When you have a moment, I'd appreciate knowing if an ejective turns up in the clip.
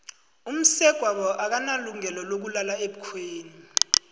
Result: no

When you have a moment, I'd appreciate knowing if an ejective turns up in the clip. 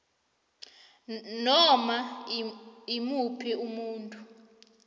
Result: yes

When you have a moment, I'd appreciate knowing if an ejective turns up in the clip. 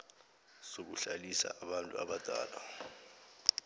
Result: yes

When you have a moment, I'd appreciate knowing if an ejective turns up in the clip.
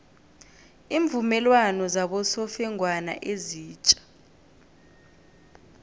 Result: yes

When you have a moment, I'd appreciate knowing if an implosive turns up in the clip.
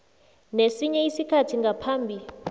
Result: no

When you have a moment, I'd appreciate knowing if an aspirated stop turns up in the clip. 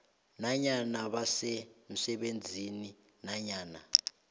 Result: no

